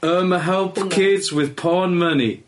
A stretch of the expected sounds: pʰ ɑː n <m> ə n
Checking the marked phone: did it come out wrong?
no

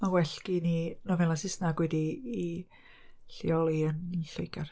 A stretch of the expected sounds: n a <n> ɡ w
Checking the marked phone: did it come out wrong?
yes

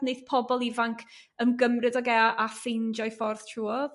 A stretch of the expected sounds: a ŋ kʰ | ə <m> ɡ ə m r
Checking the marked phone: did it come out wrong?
no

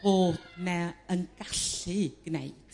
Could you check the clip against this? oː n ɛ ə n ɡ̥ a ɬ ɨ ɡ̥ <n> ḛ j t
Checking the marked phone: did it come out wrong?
no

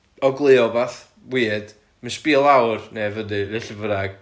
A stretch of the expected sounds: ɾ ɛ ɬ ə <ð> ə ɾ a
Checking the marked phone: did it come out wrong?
yes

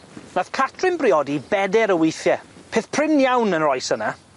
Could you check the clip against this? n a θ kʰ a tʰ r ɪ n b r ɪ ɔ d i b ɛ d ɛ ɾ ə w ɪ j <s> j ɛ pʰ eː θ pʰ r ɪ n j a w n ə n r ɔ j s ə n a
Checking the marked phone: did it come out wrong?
yes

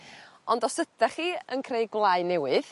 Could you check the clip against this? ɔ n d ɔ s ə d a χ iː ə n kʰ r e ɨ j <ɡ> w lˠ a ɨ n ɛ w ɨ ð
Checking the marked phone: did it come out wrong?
no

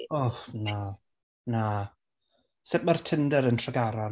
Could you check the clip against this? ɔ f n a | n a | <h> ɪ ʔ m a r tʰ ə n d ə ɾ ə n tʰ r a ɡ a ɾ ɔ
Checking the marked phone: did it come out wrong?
yes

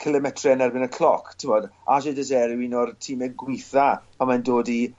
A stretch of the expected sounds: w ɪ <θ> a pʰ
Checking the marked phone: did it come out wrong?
no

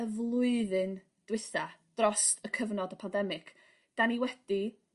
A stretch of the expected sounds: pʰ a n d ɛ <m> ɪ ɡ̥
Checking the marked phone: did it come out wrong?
no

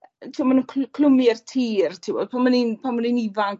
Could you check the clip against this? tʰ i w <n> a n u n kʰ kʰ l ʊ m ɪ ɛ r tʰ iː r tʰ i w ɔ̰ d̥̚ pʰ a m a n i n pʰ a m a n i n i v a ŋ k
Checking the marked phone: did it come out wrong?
yes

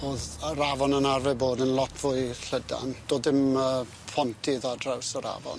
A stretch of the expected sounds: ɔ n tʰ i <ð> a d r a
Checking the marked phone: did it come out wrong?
no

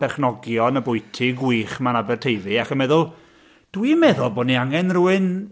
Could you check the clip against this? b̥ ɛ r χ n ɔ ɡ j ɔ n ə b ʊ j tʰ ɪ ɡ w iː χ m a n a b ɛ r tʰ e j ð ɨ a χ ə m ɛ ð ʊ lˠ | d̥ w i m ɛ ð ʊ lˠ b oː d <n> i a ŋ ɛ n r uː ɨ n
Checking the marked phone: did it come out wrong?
no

